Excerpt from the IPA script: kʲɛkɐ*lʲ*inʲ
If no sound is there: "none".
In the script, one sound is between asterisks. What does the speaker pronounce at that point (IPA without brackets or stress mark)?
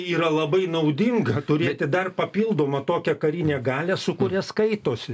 ɾʲ